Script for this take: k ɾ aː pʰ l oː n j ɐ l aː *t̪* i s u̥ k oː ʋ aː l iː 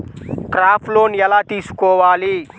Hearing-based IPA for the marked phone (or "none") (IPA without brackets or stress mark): t̪